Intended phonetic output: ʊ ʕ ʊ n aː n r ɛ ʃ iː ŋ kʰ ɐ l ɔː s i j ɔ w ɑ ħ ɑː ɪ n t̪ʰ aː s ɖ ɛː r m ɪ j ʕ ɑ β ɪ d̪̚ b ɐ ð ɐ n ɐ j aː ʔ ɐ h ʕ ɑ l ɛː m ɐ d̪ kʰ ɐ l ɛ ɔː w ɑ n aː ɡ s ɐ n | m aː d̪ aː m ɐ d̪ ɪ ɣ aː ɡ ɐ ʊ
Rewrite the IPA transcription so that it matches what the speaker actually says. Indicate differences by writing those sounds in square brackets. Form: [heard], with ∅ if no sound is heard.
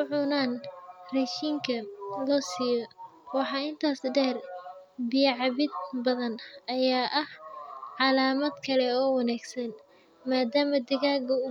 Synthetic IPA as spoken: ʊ ʕ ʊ n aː n r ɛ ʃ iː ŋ kʰ ɐ l ɔː s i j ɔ w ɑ ħ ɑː ɪ n t̪ʰ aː s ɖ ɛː r [b] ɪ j ʕ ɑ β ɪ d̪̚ b ɐ ð ɐ n ɐ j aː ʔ ɐ h ʕ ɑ l [aː] m ɐ d̪ kʰ ɐ l ɛ ɔː w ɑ n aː ɡ s ɐ n | m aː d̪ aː m ɐ d̪ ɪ ɣ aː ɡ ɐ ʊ